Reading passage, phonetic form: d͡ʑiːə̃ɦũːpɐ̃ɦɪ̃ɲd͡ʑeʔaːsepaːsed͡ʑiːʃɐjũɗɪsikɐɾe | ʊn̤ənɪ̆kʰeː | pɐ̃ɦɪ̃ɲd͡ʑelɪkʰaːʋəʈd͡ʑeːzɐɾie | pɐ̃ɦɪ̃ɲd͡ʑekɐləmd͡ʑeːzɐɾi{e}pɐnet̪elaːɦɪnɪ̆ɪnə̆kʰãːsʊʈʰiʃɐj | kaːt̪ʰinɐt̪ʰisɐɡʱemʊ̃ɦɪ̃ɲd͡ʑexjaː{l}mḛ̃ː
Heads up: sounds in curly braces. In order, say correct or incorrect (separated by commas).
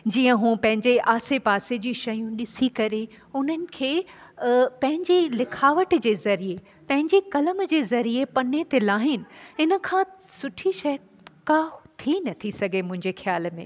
correct, correct